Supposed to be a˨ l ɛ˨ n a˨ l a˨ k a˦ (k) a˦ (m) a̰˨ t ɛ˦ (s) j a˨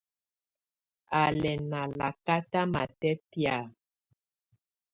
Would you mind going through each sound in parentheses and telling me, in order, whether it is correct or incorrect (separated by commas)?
incorrect, correct, incorrect